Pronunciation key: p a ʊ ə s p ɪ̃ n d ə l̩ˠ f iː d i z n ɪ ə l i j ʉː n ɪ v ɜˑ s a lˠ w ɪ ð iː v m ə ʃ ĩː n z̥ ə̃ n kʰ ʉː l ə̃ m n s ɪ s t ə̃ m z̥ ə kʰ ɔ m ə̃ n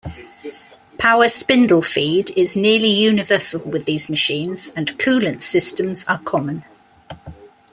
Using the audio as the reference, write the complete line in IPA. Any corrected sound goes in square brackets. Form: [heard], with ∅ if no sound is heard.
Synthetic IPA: [pʰ] a ʊ ə s p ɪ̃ n d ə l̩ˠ f iː d [ɪ] z n ɪ ə l i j ʉː n ɪ v ɜˑ s [ə] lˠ w ɪ ð iː [z] m ə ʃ ĩː n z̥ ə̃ n kʰ ʉː l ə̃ [∅] n s ɪ s t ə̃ m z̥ ə kʰ [ɒ] m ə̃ n